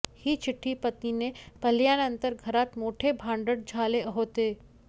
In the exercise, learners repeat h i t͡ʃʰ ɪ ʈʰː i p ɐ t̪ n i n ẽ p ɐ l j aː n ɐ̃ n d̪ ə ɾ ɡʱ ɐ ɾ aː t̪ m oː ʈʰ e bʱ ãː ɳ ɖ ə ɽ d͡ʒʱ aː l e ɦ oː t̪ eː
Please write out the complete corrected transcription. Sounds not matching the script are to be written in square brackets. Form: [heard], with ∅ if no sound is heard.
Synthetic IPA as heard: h i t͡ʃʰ ɪ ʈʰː i p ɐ t̪ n i n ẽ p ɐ l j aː n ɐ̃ n [t̪] ə ɾ ɡʱ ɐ ɾ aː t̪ m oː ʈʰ e bʱ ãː ɳ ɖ ə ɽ d͡ʒʱ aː l e ɦ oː t̪ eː